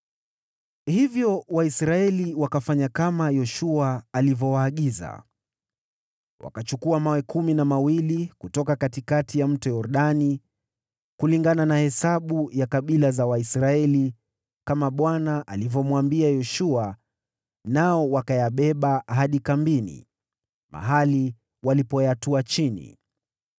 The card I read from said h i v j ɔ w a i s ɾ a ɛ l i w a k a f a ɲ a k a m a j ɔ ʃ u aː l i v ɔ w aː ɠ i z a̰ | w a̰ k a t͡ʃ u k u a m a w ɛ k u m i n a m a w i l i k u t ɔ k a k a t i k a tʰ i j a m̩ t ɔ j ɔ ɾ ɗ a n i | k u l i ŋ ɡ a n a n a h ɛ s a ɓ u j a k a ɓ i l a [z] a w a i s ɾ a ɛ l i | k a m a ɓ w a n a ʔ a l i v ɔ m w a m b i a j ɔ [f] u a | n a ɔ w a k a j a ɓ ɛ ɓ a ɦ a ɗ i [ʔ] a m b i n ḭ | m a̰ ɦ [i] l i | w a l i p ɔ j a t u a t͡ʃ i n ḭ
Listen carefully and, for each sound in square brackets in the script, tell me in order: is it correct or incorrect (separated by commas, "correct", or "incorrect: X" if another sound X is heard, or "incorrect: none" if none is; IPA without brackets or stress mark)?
correct, incorrect: ʃ, incorrect: k, incorrect: a